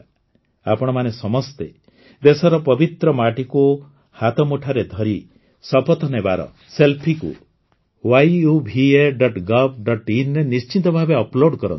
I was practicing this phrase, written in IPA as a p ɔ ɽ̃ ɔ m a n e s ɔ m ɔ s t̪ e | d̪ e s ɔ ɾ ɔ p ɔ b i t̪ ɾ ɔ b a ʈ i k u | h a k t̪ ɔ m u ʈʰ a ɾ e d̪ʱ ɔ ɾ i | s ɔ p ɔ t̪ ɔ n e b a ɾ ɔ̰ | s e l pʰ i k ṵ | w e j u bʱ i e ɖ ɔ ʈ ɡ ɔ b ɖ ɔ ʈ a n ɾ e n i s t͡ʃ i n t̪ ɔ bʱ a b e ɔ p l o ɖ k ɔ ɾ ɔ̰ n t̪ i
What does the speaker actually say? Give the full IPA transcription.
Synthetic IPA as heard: a p ɔ ɽ̃ ɔ m a n e s ɔ m ɔ s t̪ e | d̪ e s ɔ ɾ ɔ p ɔ b i t̪ ɾ ɔ m a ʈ i k u | h a t̪ ɔ m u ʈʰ a ɾ e d̪ʱ ɔ ɾ i | s ɔ p ɔ t̪ ɔ n e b a ɾ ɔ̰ | s e l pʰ i k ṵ | w a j u bʱ i e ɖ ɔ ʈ ɡ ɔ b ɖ ɔ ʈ i n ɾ e n i s t͡ʃ i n t̪ ɔ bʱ a b e ɔ p l o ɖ k ɔ ɾ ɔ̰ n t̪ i